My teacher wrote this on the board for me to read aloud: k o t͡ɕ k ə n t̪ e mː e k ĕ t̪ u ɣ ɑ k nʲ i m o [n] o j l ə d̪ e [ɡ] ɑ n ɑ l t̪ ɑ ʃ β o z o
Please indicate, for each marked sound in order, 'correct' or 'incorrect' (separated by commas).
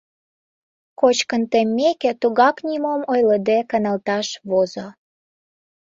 incorrect, incorrect